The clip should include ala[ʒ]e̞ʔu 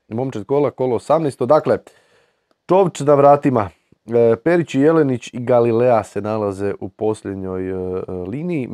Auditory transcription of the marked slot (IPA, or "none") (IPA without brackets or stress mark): z